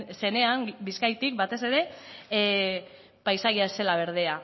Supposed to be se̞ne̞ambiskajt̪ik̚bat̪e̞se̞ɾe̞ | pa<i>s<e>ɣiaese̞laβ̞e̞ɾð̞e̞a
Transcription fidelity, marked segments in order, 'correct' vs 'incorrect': incorrect: j, incorrect: a

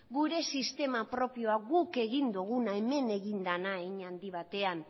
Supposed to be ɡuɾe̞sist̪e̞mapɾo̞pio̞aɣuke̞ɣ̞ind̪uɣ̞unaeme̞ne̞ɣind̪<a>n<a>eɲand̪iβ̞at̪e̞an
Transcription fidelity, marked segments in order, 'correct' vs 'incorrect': correct, correct

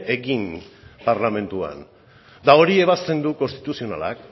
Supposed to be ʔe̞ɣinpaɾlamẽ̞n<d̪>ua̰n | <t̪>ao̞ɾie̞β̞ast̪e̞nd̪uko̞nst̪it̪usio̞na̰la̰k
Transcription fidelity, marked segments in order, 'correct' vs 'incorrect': incorrect: t̪, incorrect: d̪

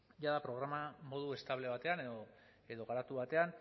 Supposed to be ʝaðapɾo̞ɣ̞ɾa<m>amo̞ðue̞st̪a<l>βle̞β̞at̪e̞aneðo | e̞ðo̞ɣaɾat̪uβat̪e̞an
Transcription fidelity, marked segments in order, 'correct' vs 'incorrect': correct, incorrect: none

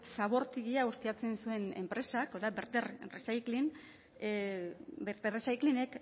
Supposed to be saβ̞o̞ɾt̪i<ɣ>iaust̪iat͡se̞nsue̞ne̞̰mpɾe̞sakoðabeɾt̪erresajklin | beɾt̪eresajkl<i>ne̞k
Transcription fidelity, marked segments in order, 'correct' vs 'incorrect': correct, correct

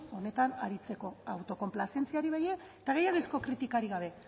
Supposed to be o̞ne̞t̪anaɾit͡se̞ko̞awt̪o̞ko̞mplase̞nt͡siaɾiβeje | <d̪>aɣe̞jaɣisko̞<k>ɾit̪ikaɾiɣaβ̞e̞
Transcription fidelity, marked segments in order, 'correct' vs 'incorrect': incorrect: t̪, correct

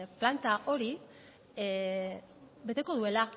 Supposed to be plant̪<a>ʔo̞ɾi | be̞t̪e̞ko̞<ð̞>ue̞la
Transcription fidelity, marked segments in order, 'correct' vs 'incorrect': correct, correct

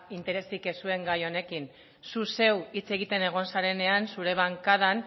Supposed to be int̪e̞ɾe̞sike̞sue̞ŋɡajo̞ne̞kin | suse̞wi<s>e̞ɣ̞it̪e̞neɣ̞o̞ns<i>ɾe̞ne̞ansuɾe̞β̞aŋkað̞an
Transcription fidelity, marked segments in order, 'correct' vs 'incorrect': incorrect: t͡s, incorrect: a

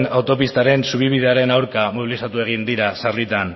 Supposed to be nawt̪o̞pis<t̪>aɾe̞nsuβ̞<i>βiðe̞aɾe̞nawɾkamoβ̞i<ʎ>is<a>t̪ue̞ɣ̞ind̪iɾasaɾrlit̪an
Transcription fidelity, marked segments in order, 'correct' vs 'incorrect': correct, correct, incorrect: l, correct

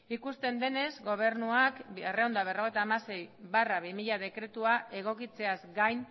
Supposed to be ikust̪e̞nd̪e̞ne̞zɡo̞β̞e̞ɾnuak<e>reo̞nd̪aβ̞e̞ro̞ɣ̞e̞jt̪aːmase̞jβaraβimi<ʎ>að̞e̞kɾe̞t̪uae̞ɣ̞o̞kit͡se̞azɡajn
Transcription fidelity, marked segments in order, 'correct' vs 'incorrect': correct, correct

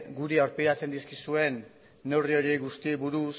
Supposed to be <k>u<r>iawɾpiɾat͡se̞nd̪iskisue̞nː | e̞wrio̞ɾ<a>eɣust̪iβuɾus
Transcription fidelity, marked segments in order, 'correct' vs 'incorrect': incorrect: ɡ, incorrect: ɾ, incorrect: i

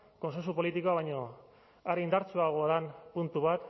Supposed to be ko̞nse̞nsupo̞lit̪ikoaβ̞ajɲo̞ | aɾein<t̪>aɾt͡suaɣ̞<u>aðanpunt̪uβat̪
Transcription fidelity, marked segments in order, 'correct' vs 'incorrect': incorrect: d̪, incorrect: o

